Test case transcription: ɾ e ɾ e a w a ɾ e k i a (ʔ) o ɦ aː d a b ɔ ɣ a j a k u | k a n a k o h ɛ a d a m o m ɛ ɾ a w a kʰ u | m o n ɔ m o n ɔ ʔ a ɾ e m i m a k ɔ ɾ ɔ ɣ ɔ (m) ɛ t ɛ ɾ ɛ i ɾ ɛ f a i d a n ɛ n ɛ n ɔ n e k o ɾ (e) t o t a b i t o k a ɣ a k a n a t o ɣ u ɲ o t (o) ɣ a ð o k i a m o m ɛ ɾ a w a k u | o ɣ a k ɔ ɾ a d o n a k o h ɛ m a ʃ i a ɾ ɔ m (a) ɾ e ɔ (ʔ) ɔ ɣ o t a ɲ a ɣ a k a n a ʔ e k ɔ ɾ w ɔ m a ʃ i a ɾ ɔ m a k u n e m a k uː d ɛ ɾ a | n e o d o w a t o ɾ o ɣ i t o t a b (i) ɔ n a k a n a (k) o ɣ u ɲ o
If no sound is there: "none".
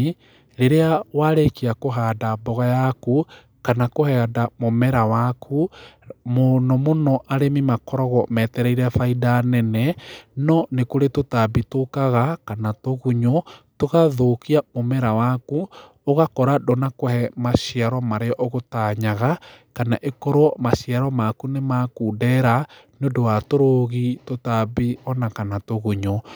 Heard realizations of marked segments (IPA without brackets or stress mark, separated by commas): k, m, e, o, a, ʔ, i, t